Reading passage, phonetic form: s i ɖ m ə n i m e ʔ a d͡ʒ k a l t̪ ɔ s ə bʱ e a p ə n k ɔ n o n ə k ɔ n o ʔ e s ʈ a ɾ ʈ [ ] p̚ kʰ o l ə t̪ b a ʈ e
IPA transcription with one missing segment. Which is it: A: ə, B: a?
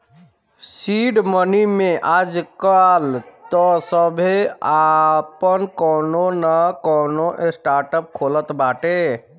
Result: A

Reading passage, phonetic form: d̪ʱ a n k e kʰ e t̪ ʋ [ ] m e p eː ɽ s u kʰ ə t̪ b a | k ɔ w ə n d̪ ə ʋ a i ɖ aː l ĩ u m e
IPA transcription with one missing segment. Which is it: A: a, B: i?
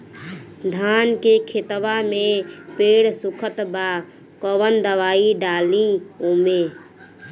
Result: A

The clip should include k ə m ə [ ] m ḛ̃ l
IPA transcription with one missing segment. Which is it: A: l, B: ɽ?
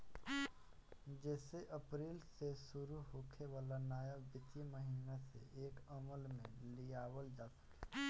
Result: A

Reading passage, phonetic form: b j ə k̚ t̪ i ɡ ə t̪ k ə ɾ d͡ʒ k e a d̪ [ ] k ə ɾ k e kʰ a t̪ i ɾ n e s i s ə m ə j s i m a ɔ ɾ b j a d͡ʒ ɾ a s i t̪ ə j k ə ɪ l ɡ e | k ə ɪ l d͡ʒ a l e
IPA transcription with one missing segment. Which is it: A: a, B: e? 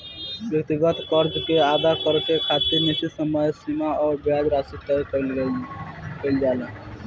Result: A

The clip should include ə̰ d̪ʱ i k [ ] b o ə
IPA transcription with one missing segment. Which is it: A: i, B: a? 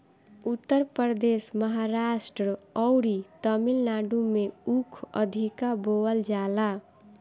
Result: B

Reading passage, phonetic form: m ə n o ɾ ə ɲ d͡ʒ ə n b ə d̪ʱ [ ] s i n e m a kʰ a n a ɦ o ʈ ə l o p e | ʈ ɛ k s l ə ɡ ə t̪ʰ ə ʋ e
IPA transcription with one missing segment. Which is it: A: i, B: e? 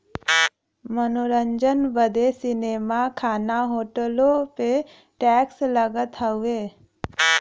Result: B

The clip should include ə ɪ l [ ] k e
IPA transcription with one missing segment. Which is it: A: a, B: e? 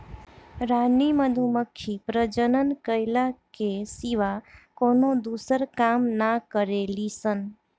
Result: A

